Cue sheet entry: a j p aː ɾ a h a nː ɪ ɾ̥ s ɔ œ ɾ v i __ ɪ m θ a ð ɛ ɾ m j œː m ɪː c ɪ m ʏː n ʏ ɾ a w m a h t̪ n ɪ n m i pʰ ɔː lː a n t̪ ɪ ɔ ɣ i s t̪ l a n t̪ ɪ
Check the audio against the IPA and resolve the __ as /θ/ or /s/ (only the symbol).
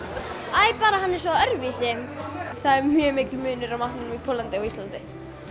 s